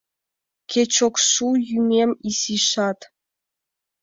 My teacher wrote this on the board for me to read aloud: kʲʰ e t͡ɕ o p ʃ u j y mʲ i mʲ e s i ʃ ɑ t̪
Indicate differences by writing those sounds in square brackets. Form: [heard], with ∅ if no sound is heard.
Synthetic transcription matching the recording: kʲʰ e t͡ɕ o [k] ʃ u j y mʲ [e] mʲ [i] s i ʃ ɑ t̪